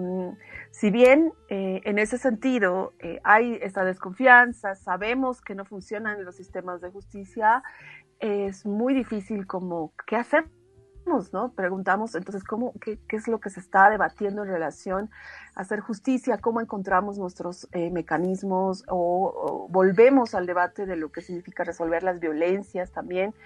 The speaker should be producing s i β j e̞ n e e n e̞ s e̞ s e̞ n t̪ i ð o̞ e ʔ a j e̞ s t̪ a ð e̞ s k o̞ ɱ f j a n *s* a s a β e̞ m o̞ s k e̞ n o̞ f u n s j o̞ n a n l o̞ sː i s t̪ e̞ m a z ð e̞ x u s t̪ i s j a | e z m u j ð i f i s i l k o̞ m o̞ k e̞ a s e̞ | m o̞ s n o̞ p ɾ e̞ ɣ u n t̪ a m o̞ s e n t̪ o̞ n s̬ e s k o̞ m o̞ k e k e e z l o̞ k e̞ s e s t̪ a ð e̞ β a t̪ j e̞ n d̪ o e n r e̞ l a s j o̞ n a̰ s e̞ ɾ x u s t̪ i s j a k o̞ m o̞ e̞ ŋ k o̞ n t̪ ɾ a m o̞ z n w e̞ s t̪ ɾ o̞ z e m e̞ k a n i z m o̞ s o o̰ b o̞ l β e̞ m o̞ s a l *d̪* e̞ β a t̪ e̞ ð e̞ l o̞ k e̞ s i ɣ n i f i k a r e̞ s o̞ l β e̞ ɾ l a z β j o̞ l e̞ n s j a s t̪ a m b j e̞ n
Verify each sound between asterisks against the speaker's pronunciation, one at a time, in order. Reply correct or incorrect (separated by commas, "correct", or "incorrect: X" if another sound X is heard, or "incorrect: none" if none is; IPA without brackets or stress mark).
correct, correct